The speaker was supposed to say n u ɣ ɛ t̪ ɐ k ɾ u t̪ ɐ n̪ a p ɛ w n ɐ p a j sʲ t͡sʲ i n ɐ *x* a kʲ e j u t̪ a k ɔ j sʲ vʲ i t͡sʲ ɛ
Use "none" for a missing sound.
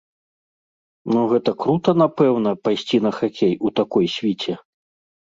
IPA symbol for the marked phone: x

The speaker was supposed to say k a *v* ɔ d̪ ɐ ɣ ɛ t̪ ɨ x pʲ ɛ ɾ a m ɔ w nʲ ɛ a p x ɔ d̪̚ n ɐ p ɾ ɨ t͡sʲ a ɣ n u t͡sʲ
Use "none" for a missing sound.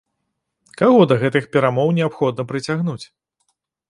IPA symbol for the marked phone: ɣ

